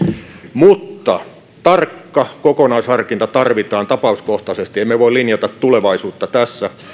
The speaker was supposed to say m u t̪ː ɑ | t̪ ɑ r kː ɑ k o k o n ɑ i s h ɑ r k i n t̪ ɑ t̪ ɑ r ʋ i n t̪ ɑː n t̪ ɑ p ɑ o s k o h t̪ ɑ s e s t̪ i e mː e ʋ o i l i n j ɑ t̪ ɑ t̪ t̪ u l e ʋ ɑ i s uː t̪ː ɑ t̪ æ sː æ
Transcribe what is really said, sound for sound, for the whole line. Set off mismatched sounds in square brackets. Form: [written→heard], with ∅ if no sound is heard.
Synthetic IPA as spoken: m u t̪ː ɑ | t̪ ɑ r kː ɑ k o k o n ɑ i s h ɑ r k i n t̪ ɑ t̪ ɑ r ʋ i [n→∅] t̪ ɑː n t̪ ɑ p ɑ [o→u] s k o h t̪ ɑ s e s t̪ i e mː e ʋ o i l i n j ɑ t̪ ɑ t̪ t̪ u l e ʋ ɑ i s uː t̪ː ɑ t̪ æ sː æ